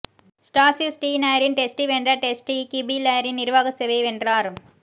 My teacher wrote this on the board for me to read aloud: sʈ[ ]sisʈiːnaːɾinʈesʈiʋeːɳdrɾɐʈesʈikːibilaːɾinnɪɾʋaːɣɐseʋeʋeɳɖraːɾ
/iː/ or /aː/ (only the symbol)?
aː